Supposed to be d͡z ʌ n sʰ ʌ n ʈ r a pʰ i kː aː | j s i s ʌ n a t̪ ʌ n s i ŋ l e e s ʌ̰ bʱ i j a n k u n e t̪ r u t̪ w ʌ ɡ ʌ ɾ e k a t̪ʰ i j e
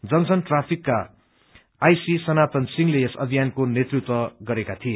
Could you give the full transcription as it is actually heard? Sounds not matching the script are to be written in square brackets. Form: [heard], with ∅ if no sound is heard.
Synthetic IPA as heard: d͡z ʌ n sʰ ʌ n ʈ r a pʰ i kː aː | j s i s ʌ n a t̪ ʌ n s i ŋ l e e s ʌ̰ bʱ i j a n k [o] n e t̪ r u t̪ w ʌ ɡ ʌ ɾ e k a t̪ʰ i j e

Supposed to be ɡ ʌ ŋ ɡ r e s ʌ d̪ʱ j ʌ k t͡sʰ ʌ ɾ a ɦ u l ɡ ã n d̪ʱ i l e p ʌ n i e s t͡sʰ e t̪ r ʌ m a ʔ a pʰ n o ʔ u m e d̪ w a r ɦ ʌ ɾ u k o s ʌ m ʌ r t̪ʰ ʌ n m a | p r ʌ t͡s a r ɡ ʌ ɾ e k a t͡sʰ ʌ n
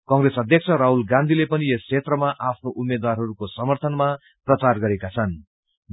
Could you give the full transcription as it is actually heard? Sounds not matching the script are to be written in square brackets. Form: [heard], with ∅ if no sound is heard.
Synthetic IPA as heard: [k] ʌ ŋ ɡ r e s ʌ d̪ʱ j ʌ k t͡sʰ ʌ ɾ a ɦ u l ɡ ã n d̪ʱ i l e p ʌ n i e s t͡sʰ e t̪ r ʌ m a ʔ a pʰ n o ʔ u m e d̪ w a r ɦ ʌ ɾ u k o s ʌ m ʌ r t̪ʰ ʌ n m a | p r ʌ t͡s a r ɡ ʌ ɾ e k a t͡sʰ ʌ n

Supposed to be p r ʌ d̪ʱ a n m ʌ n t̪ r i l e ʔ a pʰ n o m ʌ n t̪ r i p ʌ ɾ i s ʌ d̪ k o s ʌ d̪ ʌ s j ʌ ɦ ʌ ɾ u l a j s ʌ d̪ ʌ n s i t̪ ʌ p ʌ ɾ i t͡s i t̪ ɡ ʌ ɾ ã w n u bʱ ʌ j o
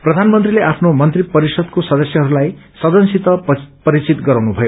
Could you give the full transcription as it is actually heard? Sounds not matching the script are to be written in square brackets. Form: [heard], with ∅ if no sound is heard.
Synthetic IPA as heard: p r ʌ d̪ʱ a n m ʌ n t̪ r i l e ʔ a pʰ n o m ʌ n t̪ r i p ʌ ɾ i s ʌ d̪ k o s ʌ d̪ ʌ s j ʌ ɦ ʌ ɾ u l a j s ʌ d̪ ʌ n s i t̪ ʌ p ʌ ɾ i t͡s i t̪ ɡ ʌ ɾ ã w n u bʱ ʌ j o

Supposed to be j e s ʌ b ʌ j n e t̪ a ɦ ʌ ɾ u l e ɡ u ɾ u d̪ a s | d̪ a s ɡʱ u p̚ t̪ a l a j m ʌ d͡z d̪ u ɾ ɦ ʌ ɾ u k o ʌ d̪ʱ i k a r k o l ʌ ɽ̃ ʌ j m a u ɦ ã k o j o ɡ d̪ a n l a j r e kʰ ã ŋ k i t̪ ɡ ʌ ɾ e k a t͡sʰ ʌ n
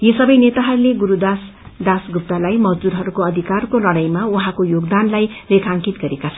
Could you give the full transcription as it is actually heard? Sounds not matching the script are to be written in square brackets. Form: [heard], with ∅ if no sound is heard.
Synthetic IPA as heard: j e s ʌ b ʌ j n e t̪ a ɦ ʌ ɾ u l e ɡ u ɾ u d̪ a s | d̪ a s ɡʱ u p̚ t̪ a l a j m ʌ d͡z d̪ u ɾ ɦ ʌ ɾ u k o ʌ d̪ʱ i k a r k o l ʌ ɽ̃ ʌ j m a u ɦ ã k o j o ɡ d̪ a n l a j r e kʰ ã ŋ k i t̪ ɡ ʌ ɾ e k a t͡sʰ ʌ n

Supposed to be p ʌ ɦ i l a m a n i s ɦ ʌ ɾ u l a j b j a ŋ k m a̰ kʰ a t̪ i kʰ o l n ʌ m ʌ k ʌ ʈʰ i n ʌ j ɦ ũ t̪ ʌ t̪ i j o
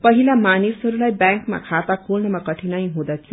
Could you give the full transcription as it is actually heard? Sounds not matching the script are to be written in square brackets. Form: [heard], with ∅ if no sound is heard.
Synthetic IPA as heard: p ʌ ɦ i l a m a n i s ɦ ʌ ɾ u l a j b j a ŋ k m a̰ kʰ a t̪ [a] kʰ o l n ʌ m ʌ k ʌ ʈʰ i n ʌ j ɦ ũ [d̪] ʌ [t̪ʰ] i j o

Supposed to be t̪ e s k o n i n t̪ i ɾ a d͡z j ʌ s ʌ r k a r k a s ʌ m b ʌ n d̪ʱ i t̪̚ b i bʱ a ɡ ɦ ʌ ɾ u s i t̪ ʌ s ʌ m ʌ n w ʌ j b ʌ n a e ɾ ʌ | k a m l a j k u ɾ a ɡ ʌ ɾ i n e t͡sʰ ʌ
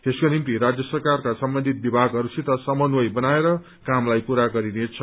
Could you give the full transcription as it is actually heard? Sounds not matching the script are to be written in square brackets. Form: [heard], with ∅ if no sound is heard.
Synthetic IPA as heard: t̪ e s k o n i [m] t̪ i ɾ a d͡z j ʌ s ʌ r k a r k a s ʌ m b ʌ n d̪ʱ i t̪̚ b i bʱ a ɡ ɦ ʌ ɾ u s i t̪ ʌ s ʌ m ʌ n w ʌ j b ʌ n a e ɾ ʌ | k a m l a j [p] u ɾ a ɡ ʌ ɾ i n e t͡sʰ ʌ

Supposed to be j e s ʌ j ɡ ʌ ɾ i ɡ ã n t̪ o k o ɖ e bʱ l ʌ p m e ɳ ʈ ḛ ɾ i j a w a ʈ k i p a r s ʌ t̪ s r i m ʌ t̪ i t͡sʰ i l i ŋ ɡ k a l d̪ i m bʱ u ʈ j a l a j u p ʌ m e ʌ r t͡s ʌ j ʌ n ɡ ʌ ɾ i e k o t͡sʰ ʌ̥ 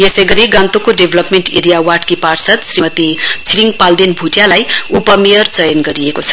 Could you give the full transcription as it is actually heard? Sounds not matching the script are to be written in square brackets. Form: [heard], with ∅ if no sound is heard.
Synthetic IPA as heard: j e s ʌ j ɡ ʌ ɾ i ɡ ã n t̪ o k o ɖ e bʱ l ʌ p m e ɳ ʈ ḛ ɾ i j a w a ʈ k i p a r s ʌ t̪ s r i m ʌ t̪ i t͡sʰ i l i ŋ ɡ [p] a l d̪ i [n] bʱ u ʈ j a l a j u p ʌ m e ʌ r t͡s ʌ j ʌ n ɡ ʌ ɾ i e k o t͡sʰ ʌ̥

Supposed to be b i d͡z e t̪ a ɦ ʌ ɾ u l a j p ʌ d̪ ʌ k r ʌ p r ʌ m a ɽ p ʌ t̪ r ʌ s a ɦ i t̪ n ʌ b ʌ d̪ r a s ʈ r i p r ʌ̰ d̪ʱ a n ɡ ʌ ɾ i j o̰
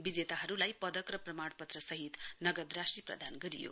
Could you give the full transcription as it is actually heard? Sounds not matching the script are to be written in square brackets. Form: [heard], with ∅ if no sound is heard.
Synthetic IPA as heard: b i d͡z e t̪ a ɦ ʌ ɾ u l a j p ʌ d̪ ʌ k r ʌ p r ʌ m a ɽ p ʌ t̪ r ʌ s [ʌ] ɦ i t̪ n ʌ [ɡ] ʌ d̪ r a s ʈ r i p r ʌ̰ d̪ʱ a n ɡ ʌ ɾ i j o̰

